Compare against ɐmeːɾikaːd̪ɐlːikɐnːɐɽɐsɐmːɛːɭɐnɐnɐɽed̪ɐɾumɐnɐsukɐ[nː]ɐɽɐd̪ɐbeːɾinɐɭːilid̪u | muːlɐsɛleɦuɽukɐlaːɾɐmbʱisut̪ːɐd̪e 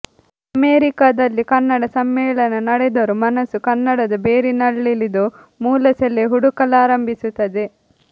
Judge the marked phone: correct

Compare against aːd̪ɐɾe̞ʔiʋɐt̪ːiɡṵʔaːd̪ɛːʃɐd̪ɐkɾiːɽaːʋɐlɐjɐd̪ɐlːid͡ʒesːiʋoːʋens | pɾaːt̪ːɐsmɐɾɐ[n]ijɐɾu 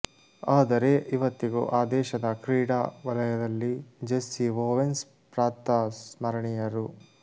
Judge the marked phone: incorrect: ɳ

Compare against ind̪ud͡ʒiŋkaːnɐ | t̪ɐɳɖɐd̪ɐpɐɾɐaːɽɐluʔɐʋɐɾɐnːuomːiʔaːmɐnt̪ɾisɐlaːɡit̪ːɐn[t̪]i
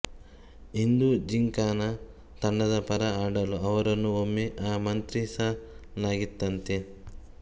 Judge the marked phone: correct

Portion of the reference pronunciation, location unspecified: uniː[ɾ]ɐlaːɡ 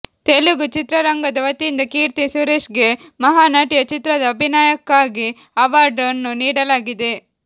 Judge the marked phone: incorrect: ɽ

